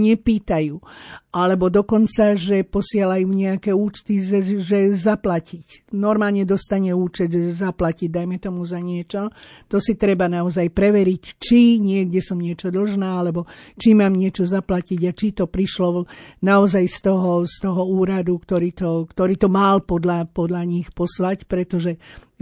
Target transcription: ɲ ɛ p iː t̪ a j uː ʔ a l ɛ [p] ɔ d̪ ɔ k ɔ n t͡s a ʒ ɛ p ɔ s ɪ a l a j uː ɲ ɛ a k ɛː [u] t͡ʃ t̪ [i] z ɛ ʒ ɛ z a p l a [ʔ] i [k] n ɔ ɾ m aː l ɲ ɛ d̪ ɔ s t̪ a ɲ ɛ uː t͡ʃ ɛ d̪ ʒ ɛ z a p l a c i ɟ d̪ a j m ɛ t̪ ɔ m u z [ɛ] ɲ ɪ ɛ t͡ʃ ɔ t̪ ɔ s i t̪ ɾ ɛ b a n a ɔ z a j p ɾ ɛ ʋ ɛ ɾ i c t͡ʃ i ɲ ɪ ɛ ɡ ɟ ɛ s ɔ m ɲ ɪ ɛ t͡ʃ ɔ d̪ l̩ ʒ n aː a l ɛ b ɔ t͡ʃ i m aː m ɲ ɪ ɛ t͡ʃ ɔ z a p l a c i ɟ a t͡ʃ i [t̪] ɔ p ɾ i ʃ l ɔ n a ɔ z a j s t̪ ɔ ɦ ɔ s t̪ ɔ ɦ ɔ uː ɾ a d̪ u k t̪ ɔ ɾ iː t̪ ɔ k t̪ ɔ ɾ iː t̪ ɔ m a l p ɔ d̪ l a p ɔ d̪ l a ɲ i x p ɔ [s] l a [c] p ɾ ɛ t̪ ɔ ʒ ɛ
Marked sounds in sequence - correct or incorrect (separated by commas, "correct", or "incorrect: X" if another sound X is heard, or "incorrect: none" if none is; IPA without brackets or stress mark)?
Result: incorrect: b, incorrect: uː, correct, incorrect: c, incorrect: c, incorrect: a, correct, correct, correct